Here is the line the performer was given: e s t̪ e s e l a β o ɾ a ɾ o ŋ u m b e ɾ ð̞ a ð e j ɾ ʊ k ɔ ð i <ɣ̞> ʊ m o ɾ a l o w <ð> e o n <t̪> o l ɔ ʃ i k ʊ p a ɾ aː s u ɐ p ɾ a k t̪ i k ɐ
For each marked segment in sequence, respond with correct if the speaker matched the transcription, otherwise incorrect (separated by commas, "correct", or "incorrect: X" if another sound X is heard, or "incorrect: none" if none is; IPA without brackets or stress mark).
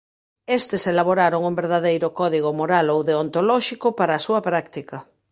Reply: correct, correct, correct